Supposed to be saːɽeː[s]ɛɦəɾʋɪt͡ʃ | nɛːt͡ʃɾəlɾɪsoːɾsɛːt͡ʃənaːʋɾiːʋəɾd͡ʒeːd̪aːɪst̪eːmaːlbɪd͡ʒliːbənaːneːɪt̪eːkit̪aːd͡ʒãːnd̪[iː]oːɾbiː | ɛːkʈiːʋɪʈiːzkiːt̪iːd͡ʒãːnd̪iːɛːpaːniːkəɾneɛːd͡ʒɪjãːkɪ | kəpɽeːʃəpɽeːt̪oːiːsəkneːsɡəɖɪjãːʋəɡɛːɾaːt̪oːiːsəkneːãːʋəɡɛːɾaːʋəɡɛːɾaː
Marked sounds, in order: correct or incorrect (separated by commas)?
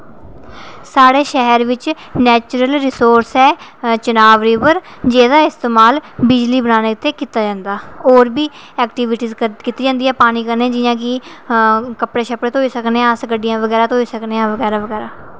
incorrect, incorrect